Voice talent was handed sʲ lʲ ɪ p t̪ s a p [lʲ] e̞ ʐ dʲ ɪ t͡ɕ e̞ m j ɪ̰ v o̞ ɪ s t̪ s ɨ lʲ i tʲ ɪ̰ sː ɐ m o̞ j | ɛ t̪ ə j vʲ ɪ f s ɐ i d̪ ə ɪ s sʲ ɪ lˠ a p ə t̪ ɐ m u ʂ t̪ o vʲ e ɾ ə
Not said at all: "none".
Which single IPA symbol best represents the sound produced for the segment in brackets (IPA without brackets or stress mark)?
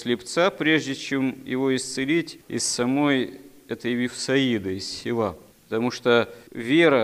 ɾʲ